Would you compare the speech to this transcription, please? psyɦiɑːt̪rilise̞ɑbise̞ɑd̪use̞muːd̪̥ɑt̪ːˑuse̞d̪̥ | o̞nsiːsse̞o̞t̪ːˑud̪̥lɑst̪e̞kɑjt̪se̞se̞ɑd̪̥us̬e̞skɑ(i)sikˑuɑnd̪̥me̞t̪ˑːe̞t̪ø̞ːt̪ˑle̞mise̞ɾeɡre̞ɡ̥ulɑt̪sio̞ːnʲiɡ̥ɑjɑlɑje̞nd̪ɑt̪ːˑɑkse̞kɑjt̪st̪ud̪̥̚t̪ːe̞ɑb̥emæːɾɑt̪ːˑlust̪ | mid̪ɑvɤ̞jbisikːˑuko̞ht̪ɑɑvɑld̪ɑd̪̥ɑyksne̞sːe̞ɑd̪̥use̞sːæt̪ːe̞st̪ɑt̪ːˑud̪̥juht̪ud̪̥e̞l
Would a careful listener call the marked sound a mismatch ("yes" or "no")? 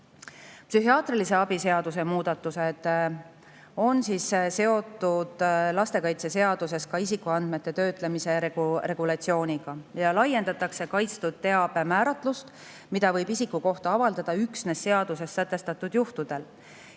no